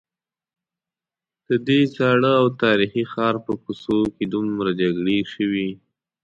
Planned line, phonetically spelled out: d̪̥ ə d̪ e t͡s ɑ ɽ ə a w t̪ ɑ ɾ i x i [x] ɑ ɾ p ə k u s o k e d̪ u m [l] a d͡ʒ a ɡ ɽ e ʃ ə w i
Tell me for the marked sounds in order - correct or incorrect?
correct, incorrect: ɾ

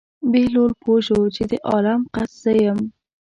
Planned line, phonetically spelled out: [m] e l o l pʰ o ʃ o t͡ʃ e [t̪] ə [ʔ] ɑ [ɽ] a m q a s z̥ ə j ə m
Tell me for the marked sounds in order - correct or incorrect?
incorrect: b, incorrect: d̪, correct, incorrect: l

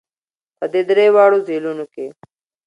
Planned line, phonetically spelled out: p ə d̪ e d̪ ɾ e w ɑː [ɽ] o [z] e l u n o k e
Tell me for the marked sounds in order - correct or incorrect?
correct, correct

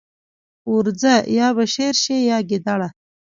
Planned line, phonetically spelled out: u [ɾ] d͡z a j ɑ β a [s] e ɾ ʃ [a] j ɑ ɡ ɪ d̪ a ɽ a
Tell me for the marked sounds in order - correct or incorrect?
correct, incorrect: ʃ, incorrect: e

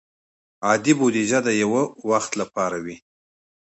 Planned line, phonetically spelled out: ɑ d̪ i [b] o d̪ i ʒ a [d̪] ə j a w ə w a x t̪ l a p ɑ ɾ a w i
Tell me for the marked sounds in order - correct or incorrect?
correct, correct

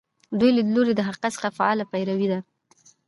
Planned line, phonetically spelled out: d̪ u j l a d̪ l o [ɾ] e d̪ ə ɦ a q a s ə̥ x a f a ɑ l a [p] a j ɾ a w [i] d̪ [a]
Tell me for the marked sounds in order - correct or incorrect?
correct, correct, correct, correct

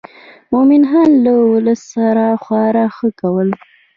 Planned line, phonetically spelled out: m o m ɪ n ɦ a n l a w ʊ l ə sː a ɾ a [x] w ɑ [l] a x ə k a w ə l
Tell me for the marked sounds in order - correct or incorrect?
correct, incorrect: ɾ

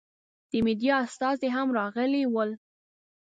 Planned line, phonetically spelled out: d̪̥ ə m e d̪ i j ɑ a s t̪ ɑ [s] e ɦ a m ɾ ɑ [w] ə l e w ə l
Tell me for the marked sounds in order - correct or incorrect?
incorrect: z, incorrect: ɣ

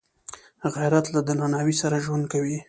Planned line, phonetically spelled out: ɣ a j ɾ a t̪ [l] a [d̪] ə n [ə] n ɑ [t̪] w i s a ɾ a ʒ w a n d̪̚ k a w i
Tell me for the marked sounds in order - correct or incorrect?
correct, correct, incorrect: a, incorrect: none

